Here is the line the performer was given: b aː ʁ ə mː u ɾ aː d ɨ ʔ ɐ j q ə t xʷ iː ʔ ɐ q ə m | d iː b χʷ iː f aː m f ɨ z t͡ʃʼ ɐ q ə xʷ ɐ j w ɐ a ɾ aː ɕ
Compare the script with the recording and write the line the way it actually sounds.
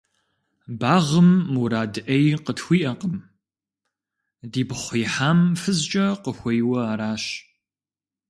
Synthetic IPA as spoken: b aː ʁ ə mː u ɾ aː d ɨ ʔ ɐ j q ə t xʷ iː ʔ ɐ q ə m | d iː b χʷ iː ħ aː m f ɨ z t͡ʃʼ ɐ q ə xʷ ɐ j w ɐ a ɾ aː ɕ